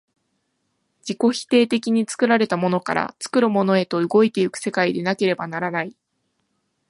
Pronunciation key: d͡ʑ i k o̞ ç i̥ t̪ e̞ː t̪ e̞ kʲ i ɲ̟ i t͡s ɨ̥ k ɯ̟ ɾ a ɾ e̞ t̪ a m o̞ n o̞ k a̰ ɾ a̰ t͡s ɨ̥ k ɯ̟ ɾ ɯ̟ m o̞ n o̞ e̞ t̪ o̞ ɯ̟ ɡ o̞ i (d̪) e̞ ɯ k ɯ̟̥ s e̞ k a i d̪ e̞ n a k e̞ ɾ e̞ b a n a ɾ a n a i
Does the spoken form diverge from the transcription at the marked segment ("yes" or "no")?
yes